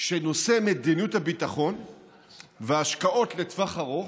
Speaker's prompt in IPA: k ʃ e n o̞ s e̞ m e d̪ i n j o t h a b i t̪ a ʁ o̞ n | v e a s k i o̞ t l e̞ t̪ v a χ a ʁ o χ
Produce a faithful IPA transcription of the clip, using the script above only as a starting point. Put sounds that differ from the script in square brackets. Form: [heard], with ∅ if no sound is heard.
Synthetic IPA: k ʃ e n o̞ s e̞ m e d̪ i n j [u] t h a b i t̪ a [χ] o̞ n | v e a [ʃ] k [a] o̞ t l e̞ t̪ v a χ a ʁ o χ